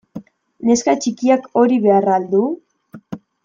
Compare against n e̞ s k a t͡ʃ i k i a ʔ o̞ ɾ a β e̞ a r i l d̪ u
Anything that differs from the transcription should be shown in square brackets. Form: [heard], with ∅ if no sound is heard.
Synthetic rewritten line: n e̞ s k a t͡ʃ i k i a [k] o̞ ɾ [i] β e̞ a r [a] l d̪ u